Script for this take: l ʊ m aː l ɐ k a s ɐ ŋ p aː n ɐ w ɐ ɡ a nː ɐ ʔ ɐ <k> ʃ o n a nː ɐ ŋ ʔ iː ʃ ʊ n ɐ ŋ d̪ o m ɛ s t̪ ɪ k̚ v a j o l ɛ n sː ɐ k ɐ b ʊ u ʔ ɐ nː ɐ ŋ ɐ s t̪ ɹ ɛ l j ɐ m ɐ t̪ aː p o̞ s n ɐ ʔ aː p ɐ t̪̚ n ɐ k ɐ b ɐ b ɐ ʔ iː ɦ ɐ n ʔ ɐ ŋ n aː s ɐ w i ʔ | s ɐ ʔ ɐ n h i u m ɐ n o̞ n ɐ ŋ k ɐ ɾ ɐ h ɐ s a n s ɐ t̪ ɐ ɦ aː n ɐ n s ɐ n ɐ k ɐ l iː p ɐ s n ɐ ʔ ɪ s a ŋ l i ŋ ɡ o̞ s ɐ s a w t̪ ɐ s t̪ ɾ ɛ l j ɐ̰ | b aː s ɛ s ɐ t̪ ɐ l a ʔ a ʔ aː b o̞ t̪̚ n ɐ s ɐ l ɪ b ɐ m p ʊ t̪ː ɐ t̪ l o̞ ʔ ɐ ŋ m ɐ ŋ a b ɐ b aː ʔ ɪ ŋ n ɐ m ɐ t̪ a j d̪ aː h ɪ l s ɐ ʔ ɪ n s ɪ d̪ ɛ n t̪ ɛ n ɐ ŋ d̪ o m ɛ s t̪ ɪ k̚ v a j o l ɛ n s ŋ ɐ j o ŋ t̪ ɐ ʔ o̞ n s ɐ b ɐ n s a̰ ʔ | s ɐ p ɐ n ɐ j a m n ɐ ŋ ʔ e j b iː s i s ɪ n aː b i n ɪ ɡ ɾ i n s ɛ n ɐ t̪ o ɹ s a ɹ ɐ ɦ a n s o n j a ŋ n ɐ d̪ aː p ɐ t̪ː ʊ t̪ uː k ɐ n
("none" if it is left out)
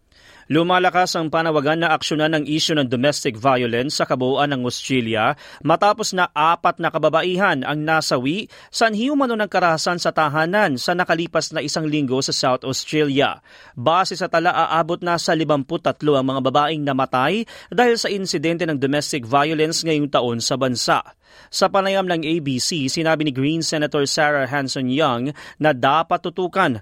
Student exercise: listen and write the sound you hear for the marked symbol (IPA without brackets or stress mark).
k